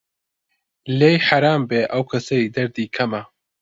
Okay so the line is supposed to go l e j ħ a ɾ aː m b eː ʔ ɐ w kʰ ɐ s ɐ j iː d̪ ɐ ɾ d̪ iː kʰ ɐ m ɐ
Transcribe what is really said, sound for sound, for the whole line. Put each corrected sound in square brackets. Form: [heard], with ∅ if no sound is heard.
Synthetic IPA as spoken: l e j ħ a ɾ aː m b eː ʔ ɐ w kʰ ɐ s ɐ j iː d̪ ɐ ɾ d̪ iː kʰ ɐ m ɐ

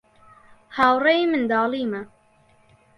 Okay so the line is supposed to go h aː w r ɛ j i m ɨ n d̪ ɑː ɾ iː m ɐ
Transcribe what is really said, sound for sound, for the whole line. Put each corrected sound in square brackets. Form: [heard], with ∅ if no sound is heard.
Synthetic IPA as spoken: h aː w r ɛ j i m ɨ n d̪ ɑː [l] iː m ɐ

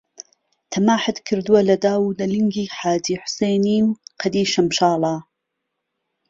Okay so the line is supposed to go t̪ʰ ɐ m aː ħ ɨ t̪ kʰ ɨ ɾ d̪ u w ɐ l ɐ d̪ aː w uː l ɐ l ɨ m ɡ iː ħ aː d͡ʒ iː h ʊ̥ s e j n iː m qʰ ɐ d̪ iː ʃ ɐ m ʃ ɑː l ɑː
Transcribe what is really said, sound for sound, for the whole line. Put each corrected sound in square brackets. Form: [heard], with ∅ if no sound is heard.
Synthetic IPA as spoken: t̪ʰ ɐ m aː ħ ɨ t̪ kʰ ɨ ɾ d̪ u w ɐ l ɐ d̪ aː w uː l ɐ l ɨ [ŋ] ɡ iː ħ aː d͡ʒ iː [ħ] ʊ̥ s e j n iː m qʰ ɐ d̪ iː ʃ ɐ m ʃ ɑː l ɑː

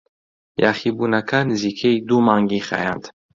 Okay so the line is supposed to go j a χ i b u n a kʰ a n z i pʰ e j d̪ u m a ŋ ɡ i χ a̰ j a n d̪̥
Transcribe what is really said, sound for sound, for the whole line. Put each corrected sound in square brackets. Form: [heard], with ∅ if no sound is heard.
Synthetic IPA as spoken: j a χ i b u n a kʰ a n z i [kʰ] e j d̪ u m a ŋ ɡ i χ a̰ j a n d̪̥

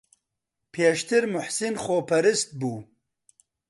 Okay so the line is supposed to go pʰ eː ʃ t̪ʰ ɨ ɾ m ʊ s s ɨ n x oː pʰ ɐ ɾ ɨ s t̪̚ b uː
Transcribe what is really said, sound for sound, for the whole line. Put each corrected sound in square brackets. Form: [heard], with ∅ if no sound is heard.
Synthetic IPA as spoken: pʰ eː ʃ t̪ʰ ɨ ɾ m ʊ [ħ] s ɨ n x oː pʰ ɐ ɾ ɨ s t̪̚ b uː

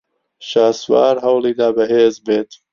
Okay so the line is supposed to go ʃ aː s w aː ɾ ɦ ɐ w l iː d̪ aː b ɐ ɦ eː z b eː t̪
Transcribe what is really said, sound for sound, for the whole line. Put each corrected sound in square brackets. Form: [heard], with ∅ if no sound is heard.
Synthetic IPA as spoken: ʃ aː s w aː ɾ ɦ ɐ w l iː d̪ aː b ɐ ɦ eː z b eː t̪

